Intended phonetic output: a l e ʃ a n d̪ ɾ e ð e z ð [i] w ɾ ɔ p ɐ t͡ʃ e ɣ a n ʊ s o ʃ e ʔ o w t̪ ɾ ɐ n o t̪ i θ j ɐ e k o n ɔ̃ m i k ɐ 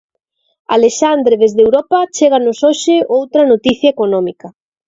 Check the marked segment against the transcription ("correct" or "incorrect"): incorrect